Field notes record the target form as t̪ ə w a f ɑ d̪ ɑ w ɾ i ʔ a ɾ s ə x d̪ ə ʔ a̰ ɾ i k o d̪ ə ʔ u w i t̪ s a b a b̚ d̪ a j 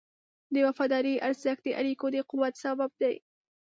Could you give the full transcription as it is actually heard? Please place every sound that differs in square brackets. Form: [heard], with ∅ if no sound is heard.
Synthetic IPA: [d̪] ə w a f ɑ d̪ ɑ [∅] ɾ i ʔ a ɾ [z] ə x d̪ ə ʔ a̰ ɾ i k o d̪ ə [q] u w [a] t̪ s a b a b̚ d̪ a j

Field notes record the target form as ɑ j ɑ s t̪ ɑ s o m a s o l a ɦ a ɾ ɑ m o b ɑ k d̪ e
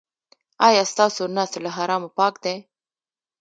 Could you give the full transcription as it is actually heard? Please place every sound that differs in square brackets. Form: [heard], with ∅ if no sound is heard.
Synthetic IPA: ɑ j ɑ s t̪ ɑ s o [n] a s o l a ɦ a ɾ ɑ m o [p] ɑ k d̪ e

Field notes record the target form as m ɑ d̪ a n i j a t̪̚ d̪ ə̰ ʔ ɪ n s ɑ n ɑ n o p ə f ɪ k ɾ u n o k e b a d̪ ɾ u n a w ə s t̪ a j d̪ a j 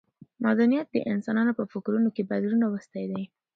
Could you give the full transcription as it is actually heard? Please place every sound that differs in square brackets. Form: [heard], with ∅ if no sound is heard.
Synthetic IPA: m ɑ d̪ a n i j a t̪̚ d̪ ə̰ ʔ ɪ n s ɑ n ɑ n o p ə f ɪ k ɾ u n o k e b a d̪ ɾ u n a w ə s t̪ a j d̪ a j

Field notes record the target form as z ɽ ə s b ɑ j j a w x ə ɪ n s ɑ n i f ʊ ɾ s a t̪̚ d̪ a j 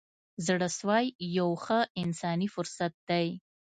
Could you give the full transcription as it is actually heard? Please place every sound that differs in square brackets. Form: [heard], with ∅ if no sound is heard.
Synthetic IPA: z ɽ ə s [w] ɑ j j a w x ə ɪ n s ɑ n i f ʊ ɾ s a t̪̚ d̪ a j

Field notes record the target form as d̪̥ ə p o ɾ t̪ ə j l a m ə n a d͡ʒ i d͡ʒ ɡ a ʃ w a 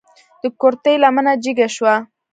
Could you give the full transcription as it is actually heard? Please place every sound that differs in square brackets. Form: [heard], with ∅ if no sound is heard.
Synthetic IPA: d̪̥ ə [k] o ɾ t̪ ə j l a m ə n a d͡ʒ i [∅] ɡ a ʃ w a

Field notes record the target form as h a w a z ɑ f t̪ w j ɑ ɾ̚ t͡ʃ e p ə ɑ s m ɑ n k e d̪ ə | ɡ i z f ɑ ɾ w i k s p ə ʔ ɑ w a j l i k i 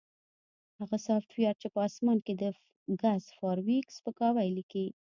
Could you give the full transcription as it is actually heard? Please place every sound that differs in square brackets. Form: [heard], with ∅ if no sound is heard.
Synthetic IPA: h a [ɣ] a [s] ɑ f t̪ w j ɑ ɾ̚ t͡ʃ e p ə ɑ s m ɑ n k e d̪ ə | ɡ [a] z f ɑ ɾ w i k s p ə [k] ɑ w a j l i k i

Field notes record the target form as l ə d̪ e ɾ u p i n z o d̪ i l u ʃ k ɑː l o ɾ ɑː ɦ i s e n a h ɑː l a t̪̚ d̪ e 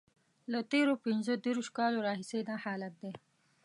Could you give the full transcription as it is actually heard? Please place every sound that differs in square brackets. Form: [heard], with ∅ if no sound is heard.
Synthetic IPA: l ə [t̪] e ɾ [o] p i n z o d̪ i [ɾ] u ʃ k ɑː l o ɾ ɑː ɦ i s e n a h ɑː l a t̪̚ d̪ e

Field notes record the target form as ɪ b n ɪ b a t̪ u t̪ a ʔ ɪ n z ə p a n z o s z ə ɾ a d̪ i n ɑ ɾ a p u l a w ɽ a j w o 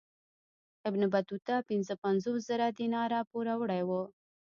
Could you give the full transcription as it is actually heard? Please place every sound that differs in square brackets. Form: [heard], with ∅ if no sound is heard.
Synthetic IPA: ɪ b n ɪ b a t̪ u t̪ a [p] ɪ n z ə p a n z o s z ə ɾ a d̪ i n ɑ ɾ a p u [ɾ] a w ɽ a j w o

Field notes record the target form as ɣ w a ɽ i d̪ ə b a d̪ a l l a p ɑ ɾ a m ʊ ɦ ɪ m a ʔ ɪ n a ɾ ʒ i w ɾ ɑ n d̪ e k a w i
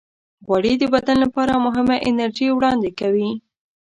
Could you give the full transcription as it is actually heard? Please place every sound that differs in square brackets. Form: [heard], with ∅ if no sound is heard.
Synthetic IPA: ɣ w a ɽ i d̪ ə b a d̪ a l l a p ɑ ɾ a m ʊ ɦ ɪ m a ʔ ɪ n a ɾ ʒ i w [ɽ] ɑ n d̪ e k a w i

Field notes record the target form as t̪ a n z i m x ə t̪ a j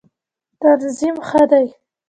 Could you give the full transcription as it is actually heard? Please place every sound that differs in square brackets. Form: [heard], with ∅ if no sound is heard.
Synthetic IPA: t̪ a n z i m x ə [d̪] a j

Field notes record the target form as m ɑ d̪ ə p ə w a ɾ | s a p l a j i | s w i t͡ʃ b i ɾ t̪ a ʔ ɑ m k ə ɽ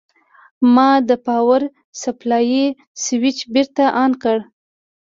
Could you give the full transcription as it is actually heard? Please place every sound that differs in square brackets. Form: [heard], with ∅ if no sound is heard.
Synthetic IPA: m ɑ d̪ ə p [ɑ] w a ɾ | s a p l [ɑ] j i | s w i t͡ʃ b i ɾ t̪ a ʔ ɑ [n] k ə ɽ

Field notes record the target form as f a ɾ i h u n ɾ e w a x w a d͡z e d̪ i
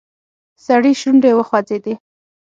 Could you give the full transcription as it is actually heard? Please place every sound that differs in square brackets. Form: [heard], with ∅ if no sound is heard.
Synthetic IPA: [s] a [ɽ] i [ʃ] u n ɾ e w [ə] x w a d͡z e d̪ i

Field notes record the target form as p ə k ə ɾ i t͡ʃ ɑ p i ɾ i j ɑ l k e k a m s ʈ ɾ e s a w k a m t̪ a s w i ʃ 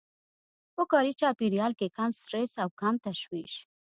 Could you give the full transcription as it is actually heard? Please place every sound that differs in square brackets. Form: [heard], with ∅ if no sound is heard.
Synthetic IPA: p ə k [ɑ] ɾ i t͡ʃ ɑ p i ɾ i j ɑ l k e k a m s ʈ ɾ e s a w k a m t̪ a [ʃ] w i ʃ

